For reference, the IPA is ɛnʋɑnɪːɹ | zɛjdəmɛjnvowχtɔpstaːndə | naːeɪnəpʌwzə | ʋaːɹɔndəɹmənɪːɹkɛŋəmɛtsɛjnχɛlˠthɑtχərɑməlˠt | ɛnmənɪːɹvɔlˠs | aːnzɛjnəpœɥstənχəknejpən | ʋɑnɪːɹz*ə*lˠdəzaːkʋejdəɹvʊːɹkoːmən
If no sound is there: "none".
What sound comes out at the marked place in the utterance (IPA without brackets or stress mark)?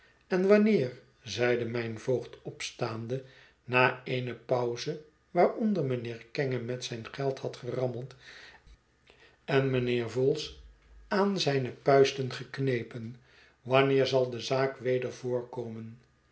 ɑ